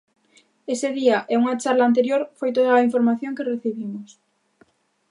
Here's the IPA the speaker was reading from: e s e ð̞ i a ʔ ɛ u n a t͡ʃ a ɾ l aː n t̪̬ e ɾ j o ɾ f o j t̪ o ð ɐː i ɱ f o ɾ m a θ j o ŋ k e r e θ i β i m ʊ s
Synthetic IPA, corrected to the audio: e s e ð̞ i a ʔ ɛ u ŋ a t͡ʃ a ɾ l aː n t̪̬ e ɾ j o ɾ f o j t̪ o ð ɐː i ɱ f o ɾ m a θ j o ŋ k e r e θ i β i m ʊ s